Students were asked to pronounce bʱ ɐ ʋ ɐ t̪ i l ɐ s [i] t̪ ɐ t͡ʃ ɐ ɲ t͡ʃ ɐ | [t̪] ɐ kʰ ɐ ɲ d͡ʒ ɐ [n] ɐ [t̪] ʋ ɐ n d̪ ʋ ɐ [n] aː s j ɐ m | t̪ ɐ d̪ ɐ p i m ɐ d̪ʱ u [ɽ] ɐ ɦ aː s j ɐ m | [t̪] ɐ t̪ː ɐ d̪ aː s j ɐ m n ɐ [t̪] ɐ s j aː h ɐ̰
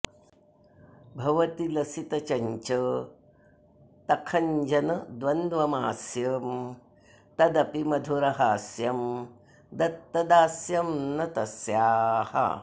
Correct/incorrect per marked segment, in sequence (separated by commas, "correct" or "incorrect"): correct, correct, correct, incorrect, incorrect, incorrect, incorrect, correct